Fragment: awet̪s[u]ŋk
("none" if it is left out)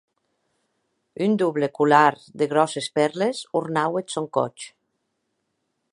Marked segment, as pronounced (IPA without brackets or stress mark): o